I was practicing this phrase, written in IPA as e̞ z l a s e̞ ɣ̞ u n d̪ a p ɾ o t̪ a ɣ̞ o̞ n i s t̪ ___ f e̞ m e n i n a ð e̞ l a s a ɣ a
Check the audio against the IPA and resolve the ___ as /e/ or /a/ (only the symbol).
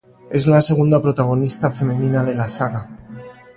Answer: a